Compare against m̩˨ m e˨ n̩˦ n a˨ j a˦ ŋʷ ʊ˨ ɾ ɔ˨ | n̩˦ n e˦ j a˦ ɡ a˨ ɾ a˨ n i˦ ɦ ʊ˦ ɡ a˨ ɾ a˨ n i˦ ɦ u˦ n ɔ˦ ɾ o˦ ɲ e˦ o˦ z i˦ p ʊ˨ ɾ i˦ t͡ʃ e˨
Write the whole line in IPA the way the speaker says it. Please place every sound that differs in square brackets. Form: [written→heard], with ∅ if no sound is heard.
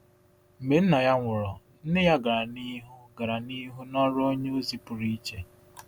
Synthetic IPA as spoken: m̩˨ m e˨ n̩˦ n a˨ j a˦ ŋʷ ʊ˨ ɾ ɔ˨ | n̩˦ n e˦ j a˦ ɡ a˨ ɾ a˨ n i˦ ɦ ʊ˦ ɡ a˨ ɾ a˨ n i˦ ɦ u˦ n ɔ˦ ɾ o˦ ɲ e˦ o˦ z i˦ p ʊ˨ ɾ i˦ t͡ʃ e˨